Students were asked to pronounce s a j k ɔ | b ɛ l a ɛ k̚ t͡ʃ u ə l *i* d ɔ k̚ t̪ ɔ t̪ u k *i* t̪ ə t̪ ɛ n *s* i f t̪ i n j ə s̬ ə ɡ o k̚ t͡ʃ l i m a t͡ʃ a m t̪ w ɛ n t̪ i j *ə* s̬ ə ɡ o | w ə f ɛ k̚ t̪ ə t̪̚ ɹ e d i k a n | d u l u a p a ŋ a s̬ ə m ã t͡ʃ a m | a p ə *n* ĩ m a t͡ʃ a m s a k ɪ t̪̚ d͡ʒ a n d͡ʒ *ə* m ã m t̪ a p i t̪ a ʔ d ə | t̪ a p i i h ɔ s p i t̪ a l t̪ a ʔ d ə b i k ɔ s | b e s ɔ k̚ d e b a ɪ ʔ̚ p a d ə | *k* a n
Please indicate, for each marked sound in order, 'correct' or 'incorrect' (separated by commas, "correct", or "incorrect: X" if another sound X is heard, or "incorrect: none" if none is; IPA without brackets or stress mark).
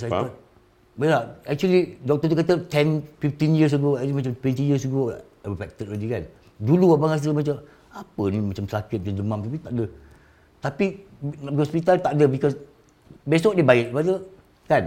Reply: correct, incorrect: a, incorrect: f, correct, correct, correct, correct